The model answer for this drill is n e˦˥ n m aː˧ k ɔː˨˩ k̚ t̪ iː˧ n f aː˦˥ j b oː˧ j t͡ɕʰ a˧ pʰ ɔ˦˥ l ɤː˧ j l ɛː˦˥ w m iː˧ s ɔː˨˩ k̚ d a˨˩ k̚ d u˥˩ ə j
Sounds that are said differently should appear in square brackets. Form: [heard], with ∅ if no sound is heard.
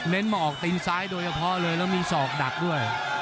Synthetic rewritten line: n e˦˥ n m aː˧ [ʔ] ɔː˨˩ k̚ t̪ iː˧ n [s] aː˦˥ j [d] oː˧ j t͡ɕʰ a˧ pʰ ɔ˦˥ l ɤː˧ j l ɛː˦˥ w m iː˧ s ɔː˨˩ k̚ d a˨˩ k̚ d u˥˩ ə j